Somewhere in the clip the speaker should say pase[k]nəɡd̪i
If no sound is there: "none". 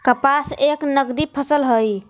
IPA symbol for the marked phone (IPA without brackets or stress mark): k